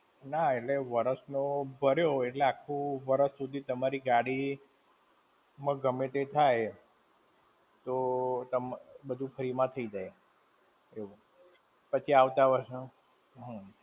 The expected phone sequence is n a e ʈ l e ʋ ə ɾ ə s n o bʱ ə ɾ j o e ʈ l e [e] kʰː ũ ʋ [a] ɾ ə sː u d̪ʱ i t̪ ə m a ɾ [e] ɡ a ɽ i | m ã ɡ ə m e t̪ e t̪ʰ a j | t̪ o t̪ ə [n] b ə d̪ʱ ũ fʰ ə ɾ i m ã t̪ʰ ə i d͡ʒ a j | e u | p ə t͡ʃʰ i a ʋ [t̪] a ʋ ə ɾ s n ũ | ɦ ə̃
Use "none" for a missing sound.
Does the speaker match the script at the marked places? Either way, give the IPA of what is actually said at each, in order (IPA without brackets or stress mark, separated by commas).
a, ə, i, m, t̪